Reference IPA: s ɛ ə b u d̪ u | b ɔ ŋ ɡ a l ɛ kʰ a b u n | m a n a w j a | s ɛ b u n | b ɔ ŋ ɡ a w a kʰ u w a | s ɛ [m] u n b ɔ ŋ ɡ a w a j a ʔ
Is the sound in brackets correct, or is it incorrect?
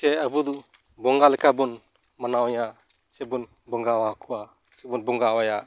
incorrect: b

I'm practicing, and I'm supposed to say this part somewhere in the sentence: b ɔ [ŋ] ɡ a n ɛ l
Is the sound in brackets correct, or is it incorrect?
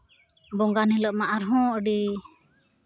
correct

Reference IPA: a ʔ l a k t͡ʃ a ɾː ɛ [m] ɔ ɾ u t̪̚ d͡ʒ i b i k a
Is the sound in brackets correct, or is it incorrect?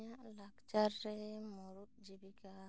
correct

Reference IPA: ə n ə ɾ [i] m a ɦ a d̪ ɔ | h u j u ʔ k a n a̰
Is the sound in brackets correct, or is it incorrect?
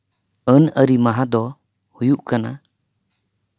correct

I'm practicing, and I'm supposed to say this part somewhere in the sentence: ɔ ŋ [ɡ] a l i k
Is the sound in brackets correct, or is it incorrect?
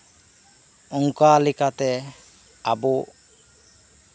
incorrect: k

